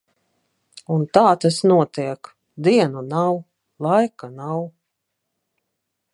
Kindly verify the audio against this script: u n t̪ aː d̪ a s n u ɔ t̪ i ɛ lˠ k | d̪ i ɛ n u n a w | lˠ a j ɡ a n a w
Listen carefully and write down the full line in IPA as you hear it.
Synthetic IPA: u n t̪ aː t̪ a s n u ɔ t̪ i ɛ k | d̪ i ɛ n u n a w | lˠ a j k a n a w